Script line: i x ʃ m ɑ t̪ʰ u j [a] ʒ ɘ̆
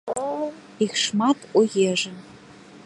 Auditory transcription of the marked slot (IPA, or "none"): e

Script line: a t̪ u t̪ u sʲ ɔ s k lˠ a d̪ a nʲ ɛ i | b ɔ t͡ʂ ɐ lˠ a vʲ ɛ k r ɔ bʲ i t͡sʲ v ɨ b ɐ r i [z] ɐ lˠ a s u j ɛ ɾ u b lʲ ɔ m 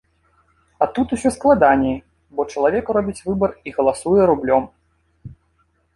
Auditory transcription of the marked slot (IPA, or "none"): ɣ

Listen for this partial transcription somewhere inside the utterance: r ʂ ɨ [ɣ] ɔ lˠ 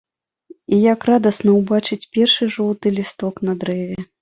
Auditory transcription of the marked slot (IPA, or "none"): ʐ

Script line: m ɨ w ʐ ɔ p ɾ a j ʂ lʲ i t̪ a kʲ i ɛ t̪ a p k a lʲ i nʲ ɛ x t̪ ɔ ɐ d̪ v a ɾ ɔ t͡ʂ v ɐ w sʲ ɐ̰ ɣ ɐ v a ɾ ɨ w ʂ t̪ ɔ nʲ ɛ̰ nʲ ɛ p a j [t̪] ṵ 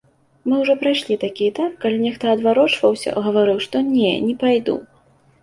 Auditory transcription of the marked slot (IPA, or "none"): d̪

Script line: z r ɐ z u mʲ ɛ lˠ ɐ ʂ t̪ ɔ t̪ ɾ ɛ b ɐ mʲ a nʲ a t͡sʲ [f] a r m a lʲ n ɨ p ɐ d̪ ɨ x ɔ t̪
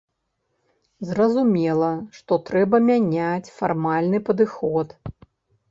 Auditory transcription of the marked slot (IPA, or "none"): f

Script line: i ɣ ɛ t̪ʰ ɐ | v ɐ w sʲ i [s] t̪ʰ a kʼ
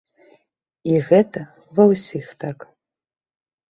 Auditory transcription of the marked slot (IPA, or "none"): x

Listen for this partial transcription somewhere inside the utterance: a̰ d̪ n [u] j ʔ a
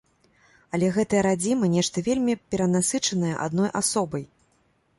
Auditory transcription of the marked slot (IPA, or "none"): ɔ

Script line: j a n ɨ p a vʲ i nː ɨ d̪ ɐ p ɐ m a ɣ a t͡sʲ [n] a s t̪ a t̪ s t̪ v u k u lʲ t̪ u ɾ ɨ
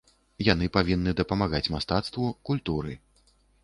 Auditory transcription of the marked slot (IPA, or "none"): m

